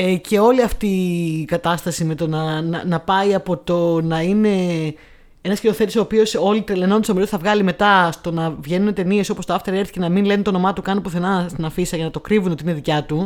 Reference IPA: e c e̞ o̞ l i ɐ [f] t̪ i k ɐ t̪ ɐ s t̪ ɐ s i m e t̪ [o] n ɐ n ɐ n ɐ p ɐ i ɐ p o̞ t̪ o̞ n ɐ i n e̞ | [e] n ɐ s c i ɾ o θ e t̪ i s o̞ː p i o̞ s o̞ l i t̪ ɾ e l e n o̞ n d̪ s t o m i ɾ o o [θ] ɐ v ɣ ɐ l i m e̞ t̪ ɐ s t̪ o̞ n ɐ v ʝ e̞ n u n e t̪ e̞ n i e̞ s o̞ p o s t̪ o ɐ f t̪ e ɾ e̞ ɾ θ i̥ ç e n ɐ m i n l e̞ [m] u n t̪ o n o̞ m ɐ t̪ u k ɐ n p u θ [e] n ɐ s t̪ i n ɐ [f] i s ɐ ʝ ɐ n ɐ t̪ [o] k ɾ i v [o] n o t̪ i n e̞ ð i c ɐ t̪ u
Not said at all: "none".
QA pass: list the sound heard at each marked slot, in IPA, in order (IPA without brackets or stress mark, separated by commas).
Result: f, o, e, θ, n, e, f, o, u